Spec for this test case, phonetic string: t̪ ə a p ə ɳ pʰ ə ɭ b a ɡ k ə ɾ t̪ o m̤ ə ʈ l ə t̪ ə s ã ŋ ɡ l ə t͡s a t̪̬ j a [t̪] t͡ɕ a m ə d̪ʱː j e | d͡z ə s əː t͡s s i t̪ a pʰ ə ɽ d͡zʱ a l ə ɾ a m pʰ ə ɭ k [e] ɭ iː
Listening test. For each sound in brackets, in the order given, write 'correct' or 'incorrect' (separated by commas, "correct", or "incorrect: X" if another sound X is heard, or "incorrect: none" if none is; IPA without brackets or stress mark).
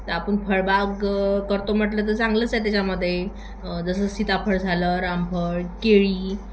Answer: incorrect: none, correct